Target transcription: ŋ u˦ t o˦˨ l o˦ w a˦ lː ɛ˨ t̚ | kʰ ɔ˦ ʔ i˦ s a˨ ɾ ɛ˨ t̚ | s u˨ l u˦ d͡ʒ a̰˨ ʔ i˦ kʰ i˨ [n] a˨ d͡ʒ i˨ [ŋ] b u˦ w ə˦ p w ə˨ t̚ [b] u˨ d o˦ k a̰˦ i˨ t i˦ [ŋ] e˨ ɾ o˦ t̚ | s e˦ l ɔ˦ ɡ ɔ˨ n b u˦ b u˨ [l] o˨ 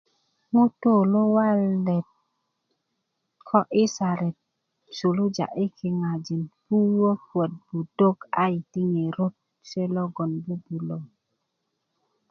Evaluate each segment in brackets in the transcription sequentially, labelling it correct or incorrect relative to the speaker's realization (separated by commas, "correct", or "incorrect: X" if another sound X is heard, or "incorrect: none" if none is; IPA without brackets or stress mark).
incorrect: ŋ, incorrect: n, correct, correct, correct